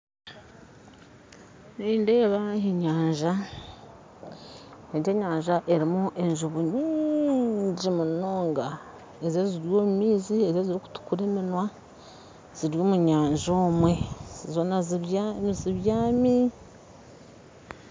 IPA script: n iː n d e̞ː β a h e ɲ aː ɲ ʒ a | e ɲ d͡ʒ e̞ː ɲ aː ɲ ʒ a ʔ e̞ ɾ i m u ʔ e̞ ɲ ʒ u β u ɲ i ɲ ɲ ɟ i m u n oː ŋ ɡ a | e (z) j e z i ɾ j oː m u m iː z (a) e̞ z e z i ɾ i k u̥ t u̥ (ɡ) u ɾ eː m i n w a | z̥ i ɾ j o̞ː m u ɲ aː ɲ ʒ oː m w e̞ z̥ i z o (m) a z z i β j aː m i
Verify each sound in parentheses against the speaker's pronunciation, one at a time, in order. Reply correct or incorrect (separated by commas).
correct, incorrect, incorrect, incorrect